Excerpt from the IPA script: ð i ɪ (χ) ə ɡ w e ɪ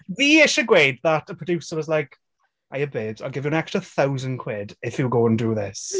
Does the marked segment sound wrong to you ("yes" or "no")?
yes